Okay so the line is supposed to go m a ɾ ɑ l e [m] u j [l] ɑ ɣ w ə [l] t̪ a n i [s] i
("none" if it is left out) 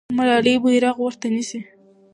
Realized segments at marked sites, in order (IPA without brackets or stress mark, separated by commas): b, ɾ, ɾ, s